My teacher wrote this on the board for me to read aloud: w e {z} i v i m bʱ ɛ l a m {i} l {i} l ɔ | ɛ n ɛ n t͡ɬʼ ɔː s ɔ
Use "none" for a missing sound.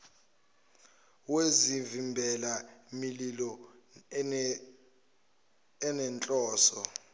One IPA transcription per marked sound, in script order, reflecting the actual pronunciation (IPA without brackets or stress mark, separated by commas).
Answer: z, i, i